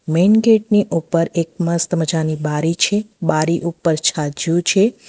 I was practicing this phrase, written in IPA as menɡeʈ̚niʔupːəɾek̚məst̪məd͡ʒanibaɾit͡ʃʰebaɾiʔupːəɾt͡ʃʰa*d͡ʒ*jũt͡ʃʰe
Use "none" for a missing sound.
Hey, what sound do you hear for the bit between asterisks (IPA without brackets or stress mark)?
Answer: d͡ʒ